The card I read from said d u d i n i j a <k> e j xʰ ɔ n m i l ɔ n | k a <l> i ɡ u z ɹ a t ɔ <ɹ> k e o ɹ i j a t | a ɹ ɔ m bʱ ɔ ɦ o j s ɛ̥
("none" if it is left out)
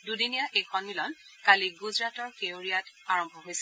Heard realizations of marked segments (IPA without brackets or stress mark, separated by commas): ʔ, l, ɹ